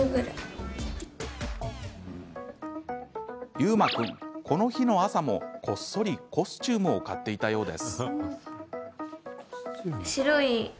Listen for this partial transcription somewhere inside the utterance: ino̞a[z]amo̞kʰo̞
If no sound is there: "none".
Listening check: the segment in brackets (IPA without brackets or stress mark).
s